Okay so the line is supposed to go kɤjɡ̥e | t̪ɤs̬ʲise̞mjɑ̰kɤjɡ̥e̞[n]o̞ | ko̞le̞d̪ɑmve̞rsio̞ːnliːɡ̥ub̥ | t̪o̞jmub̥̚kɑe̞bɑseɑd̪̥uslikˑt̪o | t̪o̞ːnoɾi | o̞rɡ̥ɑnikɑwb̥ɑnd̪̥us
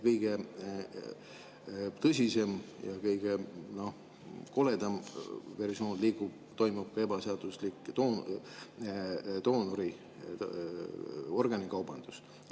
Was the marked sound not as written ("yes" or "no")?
no